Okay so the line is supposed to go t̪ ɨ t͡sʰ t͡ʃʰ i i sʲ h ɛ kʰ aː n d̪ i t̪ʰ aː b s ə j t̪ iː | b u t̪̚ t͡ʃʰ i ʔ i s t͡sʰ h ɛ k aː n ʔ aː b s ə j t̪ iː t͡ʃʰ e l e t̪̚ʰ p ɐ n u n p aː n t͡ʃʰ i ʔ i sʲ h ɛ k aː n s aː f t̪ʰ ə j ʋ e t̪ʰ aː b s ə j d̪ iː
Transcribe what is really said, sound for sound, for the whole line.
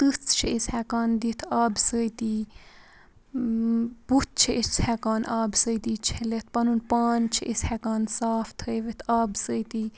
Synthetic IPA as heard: t̪ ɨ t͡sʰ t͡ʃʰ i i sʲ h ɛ k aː n d̪ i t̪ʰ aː b s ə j t̪ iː | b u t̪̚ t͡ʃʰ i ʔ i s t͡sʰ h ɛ k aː n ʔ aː b s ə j t̪ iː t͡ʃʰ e l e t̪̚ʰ p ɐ n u n p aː n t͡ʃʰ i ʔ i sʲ h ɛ k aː n s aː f t̪ʰ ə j ʋ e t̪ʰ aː b s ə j t̪ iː